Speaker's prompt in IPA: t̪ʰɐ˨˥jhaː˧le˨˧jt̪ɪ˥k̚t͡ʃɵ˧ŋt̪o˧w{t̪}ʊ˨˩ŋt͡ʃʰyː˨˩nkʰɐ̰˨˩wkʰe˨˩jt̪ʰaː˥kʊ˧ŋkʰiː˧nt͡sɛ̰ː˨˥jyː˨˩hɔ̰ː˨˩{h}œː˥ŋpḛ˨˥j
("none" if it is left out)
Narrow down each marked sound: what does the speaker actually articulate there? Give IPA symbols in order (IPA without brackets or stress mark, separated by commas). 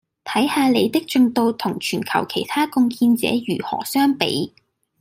t̪ʰ, s